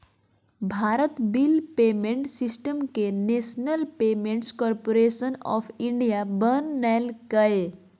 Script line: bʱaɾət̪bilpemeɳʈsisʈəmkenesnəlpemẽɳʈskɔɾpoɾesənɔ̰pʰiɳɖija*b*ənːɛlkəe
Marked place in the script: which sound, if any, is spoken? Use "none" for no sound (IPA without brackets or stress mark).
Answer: b